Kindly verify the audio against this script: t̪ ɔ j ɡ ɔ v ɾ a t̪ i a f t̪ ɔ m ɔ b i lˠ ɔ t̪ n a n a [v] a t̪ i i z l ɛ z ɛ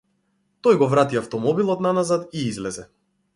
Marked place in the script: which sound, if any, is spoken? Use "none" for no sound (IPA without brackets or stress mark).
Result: z